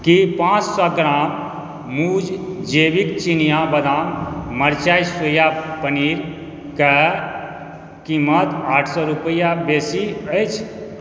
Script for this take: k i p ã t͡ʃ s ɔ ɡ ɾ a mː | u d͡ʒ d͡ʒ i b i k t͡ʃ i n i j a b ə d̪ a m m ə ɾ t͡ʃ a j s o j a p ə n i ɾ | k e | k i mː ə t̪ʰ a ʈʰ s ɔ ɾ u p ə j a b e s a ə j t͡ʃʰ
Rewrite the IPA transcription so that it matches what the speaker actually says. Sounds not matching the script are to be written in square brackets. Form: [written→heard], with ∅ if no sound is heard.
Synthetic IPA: k i p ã t͡ʃ s ɔ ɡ ɾ a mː | u d͡ʒ d͡ʒ [i→e] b i k t͡ʃ i n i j a b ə d̪ a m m ə ɾ t͡ʃ a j s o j a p ə n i ɾ | k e | k i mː ə [t̪ʰ→t̪] a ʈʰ s ɔ ɾ u p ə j a b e s [a→i] ə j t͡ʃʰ